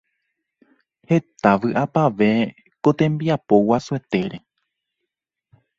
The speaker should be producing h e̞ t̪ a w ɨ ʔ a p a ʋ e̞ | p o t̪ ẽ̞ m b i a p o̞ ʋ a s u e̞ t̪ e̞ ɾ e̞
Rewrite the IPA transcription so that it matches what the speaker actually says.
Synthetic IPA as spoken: h e̞ t̪ a ʋ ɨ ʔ a p a ʋ e̞ | k o t̪ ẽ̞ m b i a p o̞ w a s u e̞ t̪ e̞ ɾ e̞